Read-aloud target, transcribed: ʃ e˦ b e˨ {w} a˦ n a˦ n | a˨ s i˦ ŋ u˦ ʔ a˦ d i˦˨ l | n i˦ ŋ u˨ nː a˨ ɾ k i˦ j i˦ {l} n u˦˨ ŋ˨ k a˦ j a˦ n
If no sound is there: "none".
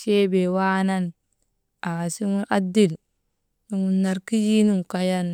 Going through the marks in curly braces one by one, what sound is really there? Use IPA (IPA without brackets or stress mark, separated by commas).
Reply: w, none